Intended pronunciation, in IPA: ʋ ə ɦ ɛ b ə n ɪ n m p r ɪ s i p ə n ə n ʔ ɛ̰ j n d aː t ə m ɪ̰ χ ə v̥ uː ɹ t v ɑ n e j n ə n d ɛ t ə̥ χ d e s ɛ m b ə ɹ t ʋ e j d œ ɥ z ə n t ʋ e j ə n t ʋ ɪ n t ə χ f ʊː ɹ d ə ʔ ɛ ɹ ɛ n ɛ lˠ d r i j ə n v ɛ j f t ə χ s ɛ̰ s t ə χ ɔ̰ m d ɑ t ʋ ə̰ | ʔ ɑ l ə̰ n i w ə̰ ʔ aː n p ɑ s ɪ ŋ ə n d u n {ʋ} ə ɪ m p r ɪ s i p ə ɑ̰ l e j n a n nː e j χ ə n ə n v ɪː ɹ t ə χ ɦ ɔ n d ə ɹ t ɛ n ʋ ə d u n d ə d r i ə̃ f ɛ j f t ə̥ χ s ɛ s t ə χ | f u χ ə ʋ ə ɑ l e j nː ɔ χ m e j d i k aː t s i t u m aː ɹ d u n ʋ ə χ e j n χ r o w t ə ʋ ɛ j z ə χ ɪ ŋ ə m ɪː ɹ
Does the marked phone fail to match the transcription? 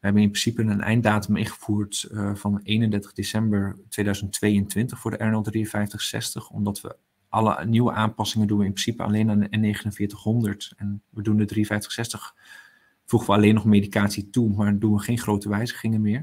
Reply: no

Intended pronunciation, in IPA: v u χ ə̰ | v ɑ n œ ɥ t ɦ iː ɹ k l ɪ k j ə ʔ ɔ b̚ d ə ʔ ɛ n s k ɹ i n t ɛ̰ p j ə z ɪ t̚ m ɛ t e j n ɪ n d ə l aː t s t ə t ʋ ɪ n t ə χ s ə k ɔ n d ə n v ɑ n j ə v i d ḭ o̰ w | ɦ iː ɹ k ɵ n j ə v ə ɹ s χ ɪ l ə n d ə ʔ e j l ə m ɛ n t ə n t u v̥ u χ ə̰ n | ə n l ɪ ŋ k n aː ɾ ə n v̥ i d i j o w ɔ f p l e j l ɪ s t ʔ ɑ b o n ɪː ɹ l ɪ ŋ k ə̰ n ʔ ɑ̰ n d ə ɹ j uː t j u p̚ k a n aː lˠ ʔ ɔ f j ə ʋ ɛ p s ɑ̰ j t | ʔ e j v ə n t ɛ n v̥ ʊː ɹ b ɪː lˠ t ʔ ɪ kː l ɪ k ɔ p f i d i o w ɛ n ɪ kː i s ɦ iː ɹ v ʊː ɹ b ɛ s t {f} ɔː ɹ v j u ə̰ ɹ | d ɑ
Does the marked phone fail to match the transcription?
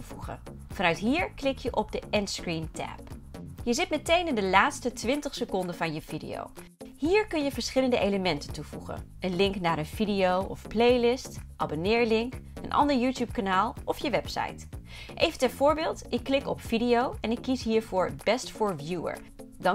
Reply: no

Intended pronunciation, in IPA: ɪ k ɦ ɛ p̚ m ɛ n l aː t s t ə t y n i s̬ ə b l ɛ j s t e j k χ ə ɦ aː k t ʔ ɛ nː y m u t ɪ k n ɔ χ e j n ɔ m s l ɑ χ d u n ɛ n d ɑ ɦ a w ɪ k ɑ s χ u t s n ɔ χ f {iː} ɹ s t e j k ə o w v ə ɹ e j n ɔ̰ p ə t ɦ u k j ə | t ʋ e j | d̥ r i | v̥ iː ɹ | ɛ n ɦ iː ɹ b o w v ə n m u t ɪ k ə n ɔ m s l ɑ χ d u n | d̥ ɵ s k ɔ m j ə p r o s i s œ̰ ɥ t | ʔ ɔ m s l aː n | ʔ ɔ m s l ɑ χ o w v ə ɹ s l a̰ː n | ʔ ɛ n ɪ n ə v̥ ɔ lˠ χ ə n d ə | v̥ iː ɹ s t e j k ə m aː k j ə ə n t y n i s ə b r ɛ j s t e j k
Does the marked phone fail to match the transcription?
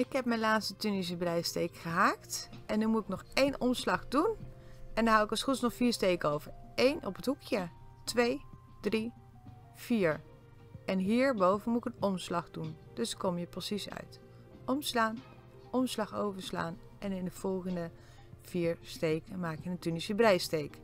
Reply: no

